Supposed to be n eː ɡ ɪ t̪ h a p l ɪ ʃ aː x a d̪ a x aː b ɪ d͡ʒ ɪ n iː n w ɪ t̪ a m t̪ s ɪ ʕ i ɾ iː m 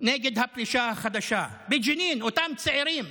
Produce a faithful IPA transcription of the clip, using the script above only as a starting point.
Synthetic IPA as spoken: n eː ɡ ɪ d̪ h a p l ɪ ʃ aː x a d̪ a ʃ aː b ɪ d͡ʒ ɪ n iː n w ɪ t̪ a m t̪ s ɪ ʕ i ɾ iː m